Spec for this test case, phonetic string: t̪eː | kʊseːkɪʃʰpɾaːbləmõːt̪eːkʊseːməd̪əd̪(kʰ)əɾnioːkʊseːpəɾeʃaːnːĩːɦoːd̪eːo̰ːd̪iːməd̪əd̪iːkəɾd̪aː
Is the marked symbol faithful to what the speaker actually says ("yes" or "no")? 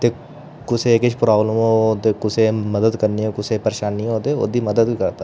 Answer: no